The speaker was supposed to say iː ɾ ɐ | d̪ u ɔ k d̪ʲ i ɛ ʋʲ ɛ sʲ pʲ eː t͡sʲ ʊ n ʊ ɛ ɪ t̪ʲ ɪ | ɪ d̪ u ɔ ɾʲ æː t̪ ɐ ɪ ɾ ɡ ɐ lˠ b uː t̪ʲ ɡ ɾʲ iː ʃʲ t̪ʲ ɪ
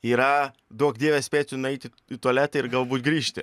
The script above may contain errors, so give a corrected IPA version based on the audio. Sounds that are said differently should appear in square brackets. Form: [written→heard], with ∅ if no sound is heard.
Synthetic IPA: iː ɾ ɐ | d̪ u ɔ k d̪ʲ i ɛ ʋʲ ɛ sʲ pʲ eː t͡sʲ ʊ n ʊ ɛ ɪ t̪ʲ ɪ | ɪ [d̪→t̪] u ɔ [ɾʲ→lʲ] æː t̪ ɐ ɪ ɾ ɡ ɐ lˠ b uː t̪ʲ ɡ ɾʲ iː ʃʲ t̪ʲ ɪ